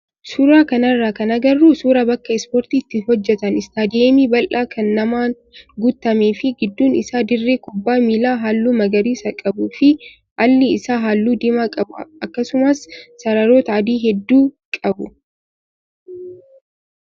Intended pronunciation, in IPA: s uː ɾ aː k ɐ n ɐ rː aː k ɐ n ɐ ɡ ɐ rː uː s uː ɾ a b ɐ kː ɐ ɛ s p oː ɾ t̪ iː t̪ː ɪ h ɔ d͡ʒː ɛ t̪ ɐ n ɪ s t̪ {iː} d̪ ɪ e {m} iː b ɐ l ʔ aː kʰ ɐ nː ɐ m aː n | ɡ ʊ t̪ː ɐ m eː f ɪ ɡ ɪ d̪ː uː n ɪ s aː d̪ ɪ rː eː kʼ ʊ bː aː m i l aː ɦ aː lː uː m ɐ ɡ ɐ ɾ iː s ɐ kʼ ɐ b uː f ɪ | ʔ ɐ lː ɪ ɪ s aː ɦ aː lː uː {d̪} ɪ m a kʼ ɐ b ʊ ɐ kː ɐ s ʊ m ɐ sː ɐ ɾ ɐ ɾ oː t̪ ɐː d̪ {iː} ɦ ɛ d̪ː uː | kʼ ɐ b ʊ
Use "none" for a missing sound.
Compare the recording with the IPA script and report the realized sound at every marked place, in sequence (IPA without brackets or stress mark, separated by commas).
aː, m, d̪, iː